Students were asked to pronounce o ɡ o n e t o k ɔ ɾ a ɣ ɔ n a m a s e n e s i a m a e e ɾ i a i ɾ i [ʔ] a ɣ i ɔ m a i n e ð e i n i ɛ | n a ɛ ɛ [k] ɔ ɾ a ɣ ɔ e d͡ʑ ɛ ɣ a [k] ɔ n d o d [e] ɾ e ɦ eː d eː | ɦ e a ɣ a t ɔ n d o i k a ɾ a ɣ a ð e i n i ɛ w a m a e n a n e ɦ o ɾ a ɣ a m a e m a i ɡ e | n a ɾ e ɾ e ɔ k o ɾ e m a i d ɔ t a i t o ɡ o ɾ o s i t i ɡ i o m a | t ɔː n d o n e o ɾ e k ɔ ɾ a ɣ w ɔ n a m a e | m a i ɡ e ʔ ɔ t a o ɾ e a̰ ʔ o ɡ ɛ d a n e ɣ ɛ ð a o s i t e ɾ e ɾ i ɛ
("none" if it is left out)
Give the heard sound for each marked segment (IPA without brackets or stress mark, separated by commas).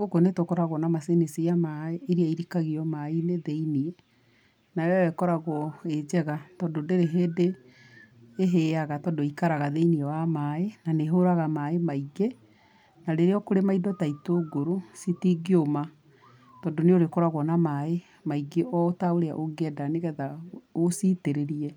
k, k, t, e